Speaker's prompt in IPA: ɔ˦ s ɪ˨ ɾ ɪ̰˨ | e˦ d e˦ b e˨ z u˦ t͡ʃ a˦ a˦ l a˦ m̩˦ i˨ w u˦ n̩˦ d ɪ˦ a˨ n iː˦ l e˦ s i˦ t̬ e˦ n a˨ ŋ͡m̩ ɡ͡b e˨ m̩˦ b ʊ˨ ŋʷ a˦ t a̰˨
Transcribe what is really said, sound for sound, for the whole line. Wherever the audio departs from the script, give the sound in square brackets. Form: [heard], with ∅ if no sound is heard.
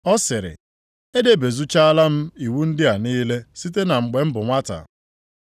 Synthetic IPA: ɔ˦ s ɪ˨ ɾ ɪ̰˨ | e˦ d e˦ b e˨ z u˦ t͡ʃ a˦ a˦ l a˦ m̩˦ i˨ w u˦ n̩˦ d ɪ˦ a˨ n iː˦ l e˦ s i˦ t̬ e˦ n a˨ ŋ͡m̩ ɡ͡b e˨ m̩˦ b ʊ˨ ŋʷ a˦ t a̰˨